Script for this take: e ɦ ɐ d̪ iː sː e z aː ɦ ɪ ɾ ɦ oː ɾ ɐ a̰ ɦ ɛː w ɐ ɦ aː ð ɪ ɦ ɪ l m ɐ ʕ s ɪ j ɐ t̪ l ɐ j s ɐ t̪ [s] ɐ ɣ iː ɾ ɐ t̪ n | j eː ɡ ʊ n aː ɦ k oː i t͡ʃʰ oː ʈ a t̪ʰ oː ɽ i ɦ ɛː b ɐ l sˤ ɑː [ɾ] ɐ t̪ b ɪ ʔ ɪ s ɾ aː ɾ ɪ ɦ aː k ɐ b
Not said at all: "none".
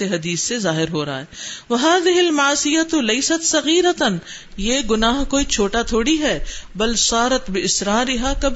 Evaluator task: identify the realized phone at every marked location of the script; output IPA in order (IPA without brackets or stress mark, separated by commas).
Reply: s, ɾ